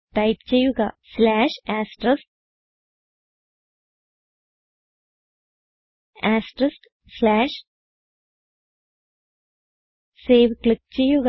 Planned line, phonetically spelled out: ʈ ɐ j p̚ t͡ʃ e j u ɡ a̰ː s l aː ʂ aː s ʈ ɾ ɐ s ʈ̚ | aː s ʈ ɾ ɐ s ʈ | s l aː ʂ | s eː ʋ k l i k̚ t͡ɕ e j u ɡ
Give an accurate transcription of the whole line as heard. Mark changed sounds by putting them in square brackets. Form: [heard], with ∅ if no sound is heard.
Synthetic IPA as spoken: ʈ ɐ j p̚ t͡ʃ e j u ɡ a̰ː s l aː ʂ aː s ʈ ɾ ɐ s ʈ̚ | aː s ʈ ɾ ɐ s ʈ | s l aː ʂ | s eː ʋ k l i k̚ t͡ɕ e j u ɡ

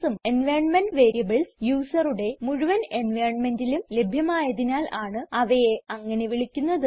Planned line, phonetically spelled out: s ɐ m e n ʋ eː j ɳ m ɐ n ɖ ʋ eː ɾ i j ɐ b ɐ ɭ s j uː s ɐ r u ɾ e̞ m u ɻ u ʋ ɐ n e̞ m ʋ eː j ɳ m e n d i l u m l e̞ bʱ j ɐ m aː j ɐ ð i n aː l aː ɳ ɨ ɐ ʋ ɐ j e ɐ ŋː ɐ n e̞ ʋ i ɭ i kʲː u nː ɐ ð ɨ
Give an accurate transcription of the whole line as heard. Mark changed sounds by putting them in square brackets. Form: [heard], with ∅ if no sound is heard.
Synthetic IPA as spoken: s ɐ m e n ʋ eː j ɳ m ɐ n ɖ ʋ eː ɾ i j ɐ b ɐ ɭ s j uː s ɐ r u [ɽ] e̞ m u ɻ u ʋ ɐ n e̞ [n] ʋ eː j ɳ m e n d i l u m l e̞ bʱ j ɐ m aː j ɐ ð i n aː l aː ɳ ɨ ɐ ʋ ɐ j e ɐ ŋː ɐ n e̞ ʋ i ɭ i kʲː u nː ɐ ð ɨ

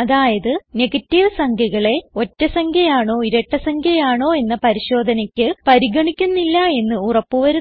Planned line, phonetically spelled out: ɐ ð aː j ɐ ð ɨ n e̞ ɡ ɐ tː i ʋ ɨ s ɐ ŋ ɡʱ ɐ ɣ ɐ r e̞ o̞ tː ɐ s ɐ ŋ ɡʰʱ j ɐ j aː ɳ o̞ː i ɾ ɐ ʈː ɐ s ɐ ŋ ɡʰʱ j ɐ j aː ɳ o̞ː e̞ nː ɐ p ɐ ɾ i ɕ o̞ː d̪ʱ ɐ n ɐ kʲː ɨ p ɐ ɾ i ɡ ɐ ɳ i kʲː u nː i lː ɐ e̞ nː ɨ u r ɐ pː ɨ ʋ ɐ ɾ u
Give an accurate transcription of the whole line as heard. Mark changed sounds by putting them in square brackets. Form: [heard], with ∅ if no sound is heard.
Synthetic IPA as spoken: ɐ ð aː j ɐ ð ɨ n e̞ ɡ ɐ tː i ʋ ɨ s ɐ ŋ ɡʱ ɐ ɣ ɐ [ɭ] e̞ o̞ tː ɐ s ɐ ŋ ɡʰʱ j ɐ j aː ɳ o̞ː i ɾ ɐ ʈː ɐ s ɐ ŋ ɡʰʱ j ɐ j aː ɳ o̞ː e̞ nː ɐ p ɐ ɾ i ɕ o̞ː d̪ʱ ɐ n ɐ kʲː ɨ p ɐ ɾ i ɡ ɐ ɳ i kʲː u nː i lː ɐ e̞ nː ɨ u r ɐ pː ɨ ʋ ɐ ɾ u

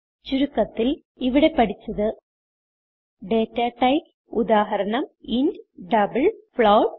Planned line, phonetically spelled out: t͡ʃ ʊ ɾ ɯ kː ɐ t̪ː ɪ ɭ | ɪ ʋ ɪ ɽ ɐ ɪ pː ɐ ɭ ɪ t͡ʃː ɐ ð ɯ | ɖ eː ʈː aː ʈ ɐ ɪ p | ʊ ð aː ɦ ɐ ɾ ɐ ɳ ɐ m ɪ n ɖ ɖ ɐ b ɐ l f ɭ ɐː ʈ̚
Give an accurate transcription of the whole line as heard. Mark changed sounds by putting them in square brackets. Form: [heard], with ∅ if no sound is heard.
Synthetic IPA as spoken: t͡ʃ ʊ ɾ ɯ kː ɐ t̪ː ɪ [l] | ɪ ʋ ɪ ɽ ɐ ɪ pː ɐ [ɽ] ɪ t͡ʃː ɐ ð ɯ | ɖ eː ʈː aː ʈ ɐ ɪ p | ʊ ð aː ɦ ɐ ɾ ɐ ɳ ɐ m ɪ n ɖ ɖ ɐ b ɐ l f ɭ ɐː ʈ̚

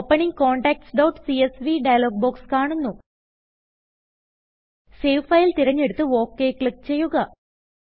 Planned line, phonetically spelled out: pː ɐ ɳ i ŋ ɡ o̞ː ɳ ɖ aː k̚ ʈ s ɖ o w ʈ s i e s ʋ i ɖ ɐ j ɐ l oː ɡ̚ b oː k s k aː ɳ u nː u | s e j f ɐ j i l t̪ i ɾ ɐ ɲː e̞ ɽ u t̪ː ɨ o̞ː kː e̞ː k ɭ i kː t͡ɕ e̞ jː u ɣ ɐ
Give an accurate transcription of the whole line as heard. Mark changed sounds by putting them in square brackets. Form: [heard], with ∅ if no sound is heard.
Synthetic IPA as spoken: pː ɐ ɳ i ŋ [k] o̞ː ɳ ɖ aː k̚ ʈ s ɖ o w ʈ s i e s ʋ i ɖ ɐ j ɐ l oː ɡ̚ b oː k s k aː ɳ u nː u | s e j f ɐ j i l t̪ i ɾ ɐ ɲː e̞ ɽ u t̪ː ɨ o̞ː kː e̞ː k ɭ i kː t͡ɕ e̞ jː u ɣ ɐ

